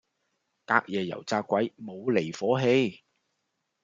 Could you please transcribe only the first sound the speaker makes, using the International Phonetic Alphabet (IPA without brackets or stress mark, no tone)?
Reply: k